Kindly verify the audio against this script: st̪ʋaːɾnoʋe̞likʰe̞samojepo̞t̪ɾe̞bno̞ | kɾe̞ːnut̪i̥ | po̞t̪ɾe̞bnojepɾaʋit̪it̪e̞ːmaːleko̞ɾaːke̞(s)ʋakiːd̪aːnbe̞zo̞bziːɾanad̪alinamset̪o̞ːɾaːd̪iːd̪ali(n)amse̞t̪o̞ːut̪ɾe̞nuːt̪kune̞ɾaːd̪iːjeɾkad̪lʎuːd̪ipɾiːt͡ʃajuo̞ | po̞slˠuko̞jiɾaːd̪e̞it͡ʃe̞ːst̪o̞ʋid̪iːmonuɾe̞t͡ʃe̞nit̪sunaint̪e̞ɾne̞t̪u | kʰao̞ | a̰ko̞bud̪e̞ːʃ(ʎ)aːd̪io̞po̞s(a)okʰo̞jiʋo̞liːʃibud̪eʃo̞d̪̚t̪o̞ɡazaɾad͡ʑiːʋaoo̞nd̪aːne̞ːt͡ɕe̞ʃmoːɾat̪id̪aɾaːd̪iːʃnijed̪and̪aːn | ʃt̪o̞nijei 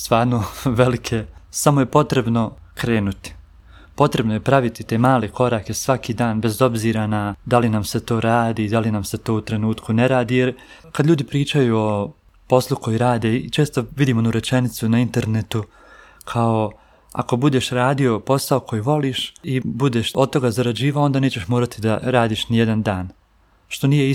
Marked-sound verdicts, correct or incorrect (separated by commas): correct, correct, incorrect, correct